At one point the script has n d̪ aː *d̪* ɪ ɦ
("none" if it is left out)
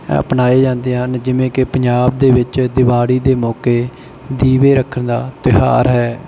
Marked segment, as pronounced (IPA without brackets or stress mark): t̪